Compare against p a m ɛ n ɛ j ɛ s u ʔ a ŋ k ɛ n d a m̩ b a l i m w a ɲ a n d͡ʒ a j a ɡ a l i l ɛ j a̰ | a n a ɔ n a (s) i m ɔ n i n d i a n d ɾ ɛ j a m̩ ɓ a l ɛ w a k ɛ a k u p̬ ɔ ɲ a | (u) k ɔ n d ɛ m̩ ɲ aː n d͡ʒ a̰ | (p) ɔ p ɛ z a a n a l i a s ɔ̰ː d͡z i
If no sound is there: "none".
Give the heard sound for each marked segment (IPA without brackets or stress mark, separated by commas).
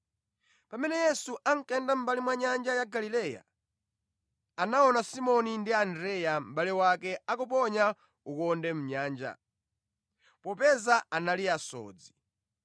s, u, p